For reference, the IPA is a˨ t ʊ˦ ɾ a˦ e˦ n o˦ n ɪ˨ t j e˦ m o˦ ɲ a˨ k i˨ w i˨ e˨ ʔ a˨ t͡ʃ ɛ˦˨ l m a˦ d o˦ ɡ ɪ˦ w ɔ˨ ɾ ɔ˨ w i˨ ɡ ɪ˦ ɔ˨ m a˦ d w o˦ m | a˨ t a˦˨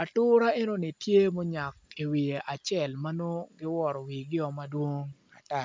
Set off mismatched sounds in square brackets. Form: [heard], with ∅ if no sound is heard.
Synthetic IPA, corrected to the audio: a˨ t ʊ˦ ɾ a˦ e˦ n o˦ n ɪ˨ t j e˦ m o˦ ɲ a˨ k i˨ w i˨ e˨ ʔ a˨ t͡ʃ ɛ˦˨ l m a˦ [n] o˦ ɡ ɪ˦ w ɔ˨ ɾ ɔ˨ w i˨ ɡ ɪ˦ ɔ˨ m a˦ d w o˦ [ŋ] | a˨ t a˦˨